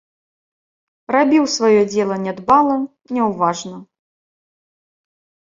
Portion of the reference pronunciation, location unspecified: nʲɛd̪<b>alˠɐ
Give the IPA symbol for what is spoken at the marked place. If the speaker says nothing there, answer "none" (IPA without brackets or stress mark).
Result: b